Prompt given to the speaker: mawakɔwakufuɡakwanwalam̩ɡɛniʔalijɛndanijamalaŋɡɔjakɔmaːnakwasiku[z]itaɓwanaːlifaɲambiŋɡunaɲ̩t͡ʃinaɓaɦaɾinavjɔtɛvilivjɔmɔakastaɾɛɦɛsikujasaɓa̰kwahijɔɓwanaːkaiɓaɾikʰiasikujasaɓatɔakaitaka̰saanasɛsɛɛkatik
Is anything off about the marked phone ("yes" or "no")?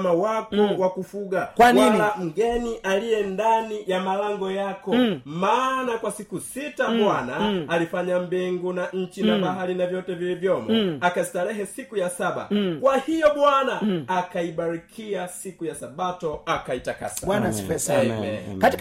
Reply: yes